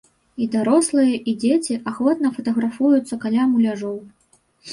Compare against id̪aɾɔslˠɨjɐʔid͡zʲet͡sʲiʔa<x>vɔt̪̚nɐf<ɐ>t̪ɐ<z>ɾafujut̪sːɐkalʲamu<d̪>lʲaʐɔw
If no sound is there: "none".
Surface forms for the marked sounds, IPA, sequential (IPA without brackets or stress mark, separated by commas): x, ɐ, ɣ, none